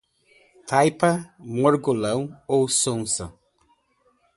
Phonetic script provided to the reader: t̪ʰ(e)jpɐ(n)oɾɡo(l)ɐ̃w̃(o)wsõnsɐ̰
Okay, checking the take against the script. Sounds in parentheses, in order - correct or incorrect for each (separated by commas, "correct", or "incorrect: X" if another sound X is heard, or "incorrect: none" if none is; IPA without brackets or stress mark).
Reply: incorrect: a, incorrect: m, correct, correct